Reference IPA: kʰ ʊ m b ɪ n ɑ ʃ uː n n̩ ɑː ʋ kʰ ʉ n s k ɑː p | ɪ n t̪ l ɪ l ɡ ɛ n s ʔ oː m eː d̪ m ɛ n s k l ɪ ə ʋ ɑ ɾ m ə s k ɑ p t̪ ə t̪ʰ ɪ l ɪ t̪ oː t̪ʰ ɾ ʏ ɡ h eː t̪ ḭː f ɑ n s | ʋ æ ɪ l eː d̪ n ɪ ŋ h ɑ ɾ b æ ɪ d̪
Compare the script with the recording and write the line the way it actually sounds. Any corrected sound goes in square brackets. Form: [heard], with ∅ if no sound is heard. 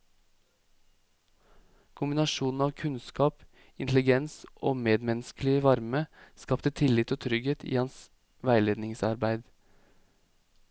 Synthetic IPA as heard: kʰ ʊ m b ɪ n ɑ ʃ uː n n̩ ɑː ʋ kʰ ʉ n s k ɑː p | ɪ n t̪ l ɪ [∅] ɡ ɛ n s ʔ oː m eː d̪ m ɛ n s k l ɪ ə ʋ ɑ ɾ m ə s k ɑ p t̪ ə t̪ʰ ɪ l ɪ t̪ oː t̪ʰ ɾ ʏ ɡ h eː t̪ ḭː [h] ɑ n s | ʋ æ ɪ l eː d̪ n ɪ ŋ [s] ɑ ɾ b æ ɪ d̪